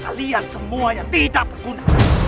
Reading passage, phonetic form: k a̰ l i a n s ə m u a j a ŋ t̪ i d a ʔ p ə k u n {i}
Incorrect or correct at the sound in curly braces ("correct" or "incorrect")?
incorrect